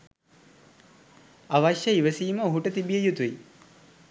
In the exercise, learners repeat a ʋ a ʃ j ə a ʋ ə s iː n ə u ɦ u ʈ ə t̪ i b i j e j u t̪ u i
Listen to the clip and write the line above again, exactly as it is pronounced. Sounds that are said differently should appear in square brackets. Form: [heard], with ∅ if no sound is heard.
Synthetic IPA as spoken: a ʋ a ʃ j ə [i] ʋ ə s iː [m] ə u ɦ u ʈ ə t̪ i b i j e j u t̪ u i